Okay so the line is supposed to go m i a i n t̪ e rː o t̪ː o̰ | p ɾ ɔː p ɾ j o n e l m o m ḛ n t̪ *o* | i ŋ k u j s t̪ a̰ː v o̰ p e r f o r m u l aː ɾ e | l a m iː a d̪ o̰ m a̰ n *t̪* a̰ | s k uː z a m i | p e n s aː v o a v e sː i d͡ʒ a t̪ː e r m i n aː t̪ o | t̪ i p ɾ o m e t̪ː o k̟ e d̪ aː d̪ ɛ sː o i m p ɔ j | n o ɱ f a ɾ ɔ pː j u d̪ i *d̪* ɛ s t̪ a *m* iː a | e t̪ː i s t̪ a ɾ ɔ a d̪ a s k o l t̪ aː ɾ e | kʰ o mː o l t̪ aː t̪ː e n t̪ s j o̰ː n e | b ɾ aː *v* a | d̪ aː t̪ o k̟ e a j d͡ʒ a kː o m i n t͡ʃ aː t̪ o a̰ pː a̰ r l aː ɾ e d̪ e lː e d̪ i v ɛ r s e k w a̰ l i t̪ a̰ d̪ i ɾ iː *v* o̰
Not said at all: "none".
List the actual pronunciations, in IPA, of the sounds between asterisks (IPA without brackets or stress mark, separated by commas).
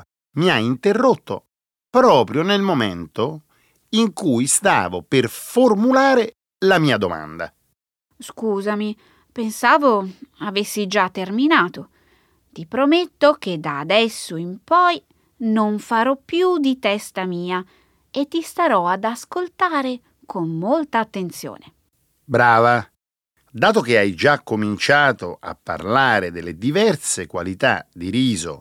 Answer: o, d̪, t̪, m, v, z